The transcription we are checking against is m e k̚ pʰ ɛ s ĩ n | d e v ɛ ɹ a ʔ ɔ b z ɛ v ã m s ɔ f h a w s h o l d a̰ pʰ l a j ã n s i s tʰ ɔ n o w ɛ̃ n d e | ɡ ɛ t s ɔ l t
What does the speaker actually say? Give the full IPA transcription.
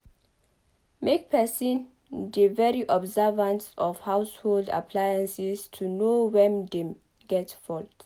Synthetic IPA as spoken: m e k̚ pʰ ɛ s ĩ n | d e v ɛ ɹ i ʔ ɔ b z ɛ v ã n s ɔ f h a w s h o l d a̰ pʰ l a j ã n s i s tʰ u n o w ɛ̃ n d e | ɡ ɛ t f ɔ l t

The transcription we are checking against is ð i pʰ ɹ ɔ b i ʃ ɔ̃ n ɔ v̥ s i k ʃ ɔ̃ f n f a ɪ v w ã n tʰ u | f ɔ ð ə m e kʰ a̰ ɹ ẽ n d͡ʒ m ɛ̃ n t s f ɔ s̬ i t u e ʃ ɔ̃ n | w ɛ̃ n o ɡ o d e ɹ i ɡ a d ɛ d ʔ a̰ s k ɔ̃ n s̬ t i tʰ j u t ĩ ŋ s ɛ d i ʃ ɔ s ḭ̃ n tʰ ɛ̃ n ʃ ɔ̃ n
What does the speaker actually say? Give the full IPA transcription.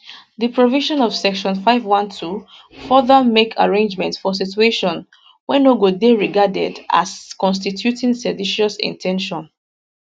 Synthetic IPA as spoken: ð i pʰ ɹ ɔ v i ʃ ɔ̃ n ɔ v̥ s ɛ k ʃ ɔ̃ n f a ɪ v w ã n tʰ u | f ɔ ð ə m e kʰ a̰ ɹ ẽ n d͡ʒ m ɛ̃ n t s f ɔ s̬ i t u e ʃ ɔ̃ n | w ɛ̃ n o ɡ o d e ɹ i ɡ a d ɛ d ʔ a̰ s k ɔ̃ n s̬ t i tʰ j u t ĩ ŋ s ɛ d i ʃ ɔ s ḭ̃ n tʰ ɛ̃ n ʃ ɔ̃ n

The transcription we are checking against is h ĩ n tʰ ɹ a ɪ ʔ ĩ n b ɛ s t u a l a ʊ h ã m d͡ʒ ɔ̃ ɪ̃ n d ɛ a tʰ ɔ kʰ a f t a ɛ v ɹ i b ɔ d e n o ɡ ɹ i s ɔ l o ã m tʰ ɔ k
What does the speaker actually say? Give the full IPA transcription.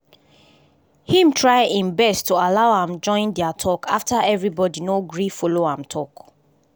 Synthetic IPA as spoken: h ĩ m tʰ ɹ a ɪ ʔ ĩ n b ɛ s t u a l a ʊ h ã m d͡ʒ ɔ̃ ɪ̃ n d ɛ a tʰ ɔ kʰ a f t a ɛ v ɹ i b ɔ d i n o ɡ ɹ i f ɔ l o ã m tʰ ɔ k

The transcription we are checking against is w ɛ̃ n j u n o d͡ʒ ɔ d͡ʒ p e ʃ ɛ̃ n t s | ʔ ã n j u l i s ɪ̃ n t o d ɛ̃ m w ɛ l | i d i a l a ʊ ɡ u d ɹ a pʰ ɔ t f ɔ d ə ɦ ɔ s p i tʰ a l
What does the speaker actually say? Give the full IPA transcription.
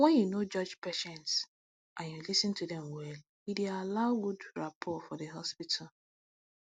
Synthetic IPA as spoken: w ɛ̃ n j u n o d͡ʒ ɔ d͡ʒ p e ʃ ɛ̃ n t s | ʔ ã n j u l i s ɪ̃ n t u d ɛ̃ m w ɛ l | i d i a l a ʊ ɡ u d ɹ a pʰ ɔ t f ɔ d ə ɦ ɔ s p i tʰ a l

